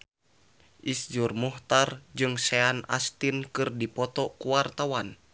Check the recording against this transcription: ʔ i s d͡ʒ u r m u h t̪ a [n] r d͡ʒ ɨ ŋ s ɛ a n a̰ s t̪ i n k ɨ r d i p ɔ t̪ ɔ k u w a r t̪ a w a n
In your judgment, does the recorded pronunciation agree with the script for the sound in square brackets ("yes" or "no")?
no